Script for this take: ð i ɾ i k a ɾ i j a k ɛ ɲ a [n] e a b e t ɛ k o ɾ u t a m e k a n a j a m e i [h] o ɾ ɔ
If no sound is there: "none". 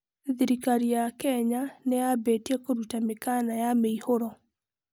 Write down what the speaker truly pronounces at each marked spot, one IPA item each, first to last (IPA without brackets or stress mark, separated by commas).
n, h